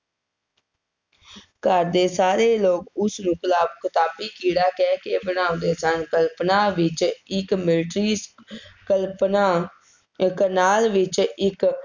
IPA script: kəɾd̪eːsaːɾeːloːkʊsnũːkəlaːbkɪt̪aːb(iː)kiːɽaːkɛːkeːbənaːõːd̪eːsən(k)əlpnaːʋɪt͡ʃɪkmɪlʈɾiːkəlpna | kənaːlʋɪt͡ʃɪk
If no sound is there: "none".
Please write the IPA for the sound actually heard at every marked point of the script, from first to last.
iː, k

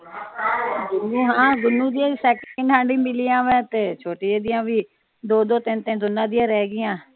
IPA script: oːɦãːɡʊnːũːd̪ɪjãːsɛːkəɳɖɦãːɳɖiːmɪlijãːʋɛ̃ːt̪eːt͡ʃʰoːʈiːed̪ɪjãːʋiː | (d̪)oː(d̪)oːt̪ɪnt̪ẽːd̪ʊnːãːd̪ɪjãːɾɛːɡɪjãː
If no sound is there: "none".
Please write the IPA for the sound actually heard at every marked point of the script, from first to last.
d̪, d̪

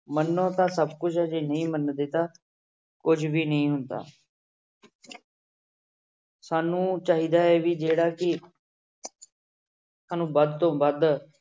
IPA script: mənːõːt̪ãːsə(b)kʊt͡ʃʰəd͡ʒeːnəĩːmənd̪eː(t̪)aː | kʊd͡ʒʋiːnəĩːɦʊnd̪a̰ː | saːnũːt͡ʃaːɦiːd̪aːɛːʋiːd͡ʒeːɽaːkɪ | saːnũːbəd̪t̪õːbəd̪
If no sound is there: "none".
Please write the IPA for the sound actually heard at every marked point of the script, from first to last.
b, t̪

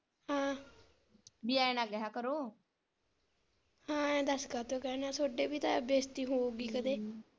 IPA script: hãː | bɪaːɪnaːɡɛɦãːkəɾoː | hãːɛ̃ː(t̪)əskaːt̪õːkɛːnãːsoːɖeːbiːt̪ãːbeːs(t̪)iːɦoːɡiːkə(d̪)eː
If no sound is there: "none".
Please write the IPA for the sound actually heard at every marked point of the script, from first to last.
d̪, t̪, d̪

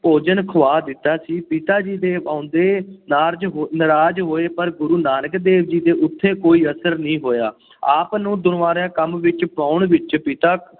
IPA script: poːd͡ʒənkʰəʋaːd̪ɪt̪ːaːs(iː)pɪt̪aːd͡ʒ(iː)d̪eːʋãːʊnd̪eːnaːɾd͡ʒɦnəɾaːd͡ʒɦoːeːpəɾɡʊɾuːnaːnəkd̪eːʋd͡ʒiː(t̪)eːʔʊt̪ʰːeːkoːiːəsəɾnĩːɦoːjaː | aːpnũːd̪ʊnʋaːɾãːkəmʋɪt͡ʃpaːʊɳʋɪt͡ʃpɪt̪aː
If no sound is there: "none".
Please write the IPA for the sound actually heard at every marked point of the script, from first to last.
iː, iː, d̪

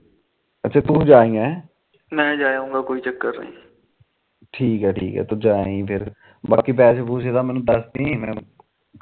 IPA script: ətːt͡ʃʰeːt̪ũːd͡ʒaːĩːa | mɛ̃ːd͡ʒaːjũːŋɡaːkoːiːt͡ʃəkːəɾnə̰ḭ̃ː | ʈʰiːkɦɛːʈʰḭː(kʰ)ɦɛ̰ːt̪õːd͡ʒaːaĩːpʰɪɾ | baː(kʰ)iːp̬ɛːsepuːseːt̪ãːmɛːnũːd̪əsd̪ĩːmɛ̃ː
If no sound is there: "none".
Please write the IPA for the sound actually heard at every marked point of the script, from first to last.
k, k

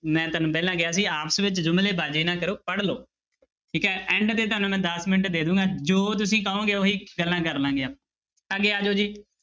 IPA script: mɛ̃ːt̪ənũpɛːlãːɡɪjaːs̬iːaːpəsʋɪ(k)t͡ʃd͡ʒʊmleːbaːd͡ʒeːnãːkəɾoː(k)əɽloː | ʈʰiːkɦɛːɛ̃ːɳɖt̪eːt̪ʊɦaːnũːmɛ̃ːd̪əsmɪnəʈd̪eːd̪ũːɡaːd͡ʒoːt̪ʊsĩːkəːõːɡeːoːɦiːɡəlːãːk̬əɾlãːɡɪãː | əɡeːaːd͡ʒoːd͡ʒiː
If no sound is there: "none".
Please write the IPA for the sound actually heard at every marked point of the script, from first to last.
none, p

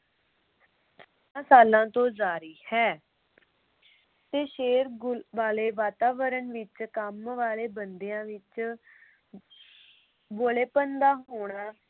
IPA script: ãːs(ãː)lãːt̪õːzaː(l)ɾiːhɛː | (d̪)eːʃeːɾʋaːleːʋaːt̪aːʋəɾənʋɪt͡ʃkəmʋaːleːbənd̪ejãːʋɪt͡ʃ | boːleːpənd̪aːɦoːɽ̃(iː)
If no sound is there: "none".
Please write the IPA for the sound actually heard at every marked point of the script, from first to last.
aː, none, t̪, aː

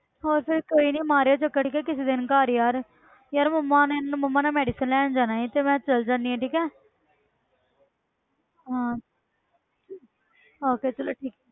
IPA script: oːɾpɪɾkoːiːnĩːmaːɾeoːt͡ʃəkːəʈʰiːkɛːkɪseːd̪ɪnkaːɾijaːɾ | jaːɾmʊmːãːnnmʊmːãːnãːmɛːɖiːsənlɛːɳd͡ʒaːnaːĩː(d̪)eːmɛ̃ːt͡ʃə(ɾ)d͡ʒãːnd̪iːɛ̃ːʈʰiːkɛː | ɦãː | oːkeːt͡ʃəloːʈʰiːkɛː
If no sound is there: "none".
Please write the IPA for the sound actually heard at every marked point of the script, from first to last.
t̪, l

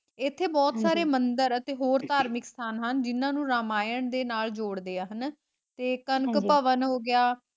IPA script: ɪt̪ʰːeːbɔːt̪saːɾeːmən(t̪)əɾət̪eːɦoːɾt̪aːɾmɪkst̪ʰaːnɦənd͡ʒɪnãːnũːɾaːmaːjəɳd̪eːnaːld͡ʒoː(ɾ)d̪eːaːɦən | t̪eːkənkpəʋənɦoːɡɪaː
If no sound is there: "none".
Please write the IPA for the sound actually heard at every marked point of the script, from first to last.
d̪, ɽ

